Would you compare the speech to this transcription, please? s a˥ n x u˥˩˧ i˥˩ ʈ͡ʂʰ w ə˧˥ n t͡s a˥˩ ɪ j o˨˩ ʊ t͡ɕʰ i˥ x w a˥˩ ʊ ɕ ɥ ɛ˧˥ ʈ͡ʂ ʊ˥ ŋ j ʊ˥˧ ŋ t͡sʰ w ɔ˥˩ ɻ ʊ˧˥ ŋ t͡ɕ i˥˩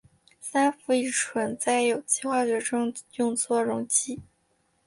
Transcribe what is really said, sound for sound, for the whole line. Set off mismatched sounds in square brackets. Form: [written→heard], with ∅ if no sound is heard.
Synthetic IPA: s a˥ n [x→f] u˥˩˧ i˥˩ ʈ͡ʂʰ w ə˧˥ n t͡s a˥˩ ɪ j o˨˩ ʊ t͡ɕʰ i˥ x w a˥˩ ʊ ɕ ɥ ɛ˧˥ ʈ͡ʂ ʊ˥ ŋ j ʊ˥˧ ŋ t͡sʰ w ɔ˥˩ ɻ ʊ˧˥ ŋ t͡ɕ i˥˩